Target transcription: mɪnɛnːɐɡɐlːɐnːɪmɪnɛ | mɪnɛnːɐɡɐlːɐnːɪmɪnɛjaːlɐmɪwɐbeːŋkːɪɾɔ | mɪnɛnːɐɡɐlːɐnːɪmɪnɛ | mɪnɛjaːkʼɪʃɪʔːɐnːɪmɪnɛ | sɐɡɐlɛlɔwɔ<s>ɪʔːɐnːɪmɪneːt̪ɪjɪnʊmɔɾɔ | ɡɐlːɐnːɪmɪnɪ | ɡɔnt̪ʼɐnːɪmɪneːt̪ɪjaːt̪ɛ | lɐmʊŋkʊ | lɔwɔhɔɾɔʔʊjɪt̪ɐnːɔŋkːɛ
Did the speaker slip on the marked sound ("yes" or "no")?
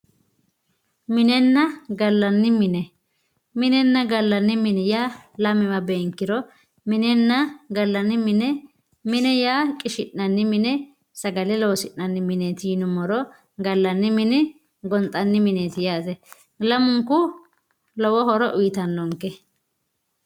no